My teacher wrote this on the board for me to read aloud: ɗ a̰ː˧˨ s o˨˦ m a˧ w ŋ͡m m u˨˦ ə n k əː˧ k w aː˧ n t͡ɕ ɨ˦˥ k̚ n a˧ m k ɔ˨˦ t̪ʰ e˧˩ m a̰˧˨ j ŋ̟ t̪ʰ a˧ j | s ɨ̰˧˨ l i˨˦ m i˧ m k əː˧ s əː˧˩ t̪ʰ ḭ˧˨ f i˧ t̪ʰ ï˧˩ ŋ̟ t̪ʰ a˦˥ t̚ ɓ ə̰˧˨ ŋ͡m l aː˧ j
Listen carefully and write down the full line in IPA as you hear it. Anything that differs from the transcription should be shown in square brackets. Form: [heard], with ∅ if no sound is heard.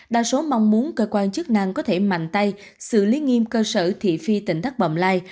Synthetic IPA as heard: ɗ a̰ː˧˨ s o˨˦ m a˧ w ŋ͡m m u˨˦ ə n k əː˧ k w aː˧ n t͡ɕ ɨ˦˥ k̚ n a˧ [ŋ] k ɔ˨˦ t̪ʰ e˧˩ m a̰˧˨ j ŋ̟ [t̪] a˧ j | s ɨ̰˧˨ l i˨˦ [ŋ] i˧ m k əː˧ s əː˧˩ t̪ʰ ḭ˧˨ f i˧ [t̪] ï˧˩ ŋ̟ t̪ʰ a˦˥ [k̚] ɓ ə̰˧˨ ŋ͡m l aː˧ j